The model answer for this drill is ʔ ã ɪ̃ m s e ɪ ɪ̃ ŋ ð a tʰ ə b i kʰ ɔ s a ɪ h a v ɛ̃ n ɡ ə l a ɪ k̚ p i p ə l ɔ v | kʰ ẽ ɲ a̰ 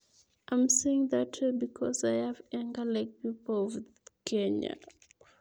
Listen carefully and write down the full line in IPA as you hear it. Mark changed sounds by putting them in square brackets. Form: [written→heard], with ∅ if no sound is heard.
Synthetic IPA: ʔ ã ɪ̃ m s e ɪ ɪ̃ ŋ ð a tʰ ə b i kʰ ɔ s a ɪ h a v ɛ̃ [n→ŋ] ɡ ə l a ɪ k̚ p i p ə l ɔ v | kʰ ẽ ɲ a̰